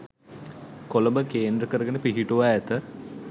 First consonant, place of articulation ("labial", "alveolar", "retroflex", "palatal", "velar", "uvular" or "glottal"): velar